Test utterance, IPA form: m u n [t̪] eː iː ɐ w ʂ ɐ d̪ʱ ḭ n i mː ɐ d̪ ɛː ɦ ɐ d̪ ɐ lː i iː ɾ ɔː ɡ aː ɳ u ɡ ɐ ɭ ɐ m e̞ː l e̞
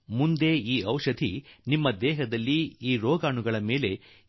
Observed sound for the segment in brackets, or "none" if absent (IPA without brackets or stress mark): d̪